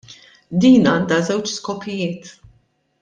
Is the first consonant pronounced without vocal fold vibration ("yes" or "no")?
no